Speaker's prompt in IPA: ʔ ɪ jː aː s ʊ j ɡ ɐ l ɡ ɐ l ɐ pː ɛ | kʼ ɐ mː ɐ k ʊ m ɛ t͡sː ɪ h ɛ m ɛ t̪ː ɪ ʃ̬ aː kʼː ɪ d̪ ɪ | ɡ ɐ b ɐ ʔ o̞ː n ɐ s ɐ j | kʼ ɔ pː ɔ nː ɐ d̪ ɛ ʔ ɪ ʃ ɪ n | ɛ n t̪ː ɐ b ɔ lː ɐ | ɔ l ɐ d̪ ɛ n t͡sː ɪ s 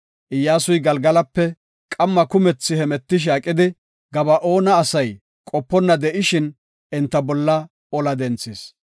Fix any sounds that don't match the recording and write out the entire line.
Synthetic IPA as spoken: ʔ ɪ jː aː s ʊ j ɡ ɐ l ɡ ɐ l ɐ pː ɛ | kʼ ɐ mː ɐ k ʊ m ɛ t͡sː ɪ h ɛ m ɛ t̪ː ɪ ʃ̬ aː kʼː ɪ d̪ ɪ | ɡ ɐ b ɐ ʔ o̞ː n ɐː s ɐ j | kʼ ɔ pː ɔ nː ɐ d̪ ɛ ʔ ɪ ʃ ɪ n | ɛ n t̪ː ɐ b ɔ lː ɐ | ɔ l ɐ d̪ ɛ n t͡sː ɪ s